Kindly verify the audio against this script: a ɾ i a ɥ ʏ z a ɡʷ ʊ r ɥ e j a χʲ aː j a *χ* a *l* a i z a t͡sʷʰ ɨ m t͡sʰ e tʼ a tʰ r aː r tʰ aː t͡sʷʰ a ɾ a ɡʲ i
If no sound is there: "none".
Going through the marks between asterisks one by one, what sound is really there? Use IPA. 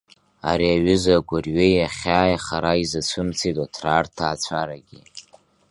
χ, ɾ

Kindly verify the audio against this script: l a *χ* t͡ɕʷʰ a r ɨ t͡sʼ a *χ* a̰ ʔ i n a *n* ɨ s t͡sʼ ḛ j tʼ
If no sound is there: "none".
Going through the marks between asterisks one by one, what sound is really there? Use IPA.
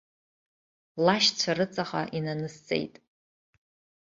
ʃ, χ, n

